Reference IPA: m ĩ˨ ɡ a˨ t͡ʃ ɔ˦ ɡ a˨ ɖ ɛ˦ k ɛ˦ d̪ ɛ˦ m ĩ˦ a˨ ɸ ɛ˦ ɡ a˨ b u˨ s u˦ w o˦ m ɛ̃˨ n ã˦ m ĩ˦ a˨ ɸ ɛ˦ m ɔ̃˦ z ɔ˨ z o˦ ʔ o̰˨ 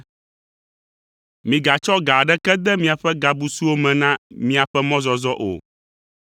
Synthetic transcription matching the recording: m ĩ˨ ɡ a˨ t͡ʃ ɔ˦ ɡ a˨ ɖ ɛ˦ k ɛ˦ d̪ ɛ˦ m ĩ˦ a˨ ɸ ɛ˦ ɡ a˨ b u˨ s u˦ w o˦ m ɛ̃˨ n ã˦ m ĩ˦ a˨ ɸ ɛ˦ m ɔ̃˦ z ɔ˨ z ɔ˦ ʔ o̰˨